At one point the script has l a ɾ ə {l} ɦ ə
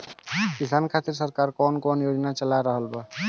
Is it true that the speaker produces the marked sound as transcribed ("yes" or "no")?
no